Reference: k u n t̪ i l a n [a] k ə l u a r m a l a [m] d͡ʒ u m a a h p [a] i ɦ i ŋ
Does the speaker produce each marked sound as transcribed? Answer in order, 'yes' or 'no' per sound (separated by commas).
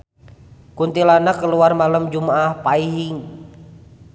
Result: yes, yes, yes